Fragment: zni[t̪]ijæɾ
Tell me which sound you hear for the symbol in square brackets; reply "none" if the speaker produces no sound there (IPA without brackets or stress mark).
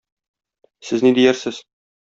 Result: d̪